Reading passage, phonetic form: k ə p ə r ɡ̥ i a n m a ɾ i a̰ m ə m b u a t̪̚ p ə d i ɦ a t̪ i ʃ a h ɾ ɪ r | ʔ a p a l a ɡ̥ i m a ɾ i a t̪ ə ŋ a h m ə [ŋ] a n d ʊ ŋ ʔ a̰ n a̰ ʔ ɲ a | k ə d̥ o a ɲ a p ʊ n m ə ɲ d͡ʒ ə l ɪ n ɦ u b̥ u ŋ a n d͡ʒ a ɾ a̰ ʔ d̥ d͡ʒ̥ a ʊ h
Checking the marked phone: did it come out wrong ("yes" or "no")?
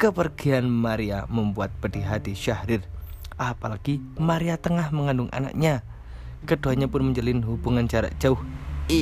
no